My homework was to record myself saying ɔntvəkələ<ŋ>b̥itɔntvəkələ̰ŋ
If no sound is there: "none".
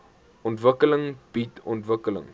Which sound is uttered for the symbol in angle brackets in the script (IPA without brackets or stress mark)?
ŋ